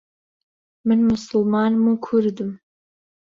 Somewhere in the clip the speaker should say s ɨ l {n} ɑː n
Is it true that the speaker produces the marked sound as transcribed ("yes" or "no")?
no